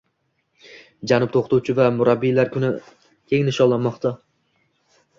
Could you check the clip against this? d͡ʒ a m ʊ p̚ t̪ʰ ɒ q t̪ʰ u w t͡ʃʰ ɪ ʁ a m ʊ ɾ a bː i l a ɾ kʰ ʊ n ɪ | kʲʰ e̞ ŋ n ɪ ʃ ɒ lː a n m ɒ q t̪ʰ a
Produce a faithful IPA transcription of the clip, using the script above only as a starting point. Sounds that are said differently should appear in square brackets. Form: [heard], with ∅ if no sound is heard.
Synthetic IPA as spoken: d͡ʒ a [n] ʊ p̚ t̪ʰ [o] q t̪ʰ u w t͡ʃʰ ɪ [v] a m ʊ ɾ a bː i l a ɾ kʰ ʊ n ɪ | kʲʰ e̞ ŋ n ɪ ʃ ɒ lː a n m ɒ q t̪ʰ a